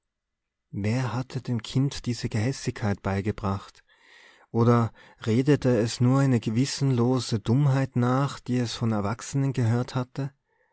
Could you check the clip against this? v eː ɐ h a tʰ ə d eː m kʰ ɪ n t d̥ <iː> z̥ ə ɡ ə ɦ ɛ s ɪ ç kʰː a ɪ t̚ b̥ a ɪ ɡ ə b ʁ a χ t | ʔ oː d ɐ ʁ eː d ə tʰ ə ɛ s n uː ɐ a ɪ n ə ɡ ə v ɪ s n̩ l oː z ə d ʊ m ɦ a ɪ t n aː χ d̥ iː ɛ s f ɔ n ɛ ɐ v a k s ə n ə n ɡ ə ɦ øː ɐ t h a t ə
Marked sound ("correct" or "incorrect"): correct